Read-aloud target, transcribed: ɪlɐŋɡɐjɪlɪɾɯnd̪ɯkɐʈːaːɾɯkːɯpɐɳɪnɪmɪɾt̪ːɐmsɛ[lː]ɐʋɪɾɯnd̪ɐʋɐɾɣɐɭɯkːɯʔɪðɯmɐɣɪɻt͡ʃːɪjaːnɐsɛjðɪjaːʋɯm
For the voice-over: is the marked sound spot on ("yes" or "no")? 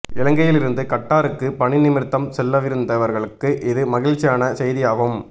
yes